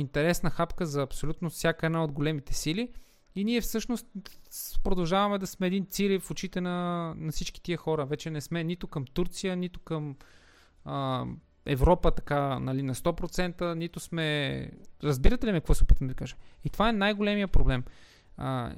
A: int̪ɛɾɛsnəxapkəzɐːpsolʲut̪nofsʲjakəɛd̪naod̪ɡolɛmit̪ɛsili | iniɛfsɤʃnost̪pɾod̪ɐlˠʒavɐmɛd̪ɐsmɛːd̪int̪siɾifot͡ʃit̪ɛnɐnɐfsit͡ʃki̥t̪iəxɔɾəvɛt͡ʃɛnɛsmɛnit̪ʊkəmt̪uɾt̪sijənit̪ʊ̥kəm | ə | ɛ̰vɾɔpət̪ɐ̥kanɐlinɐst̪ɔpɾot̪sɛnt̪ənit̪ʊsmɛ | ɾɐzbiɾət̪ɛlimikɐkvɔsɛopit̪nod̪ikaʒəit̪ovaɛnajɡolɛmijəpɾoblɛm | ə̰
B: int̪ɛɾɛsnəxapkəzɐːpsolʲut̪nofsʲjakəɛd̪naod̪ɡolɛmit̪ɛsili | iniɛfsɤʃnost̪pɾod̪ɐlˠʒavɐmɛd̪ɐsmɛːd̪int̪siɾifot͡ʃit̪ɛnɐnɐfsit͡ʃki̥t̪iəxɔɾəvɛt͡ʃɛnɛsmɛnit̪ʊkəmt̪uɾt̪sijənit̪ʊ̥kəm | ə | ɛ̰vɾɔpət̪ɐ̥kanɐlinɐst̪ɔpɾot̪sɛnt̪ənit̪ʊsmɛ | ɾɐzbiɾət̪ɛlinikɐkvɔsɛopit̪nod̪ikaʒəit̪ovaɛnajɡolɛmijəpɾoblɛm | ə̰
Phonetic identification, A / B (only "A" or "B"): A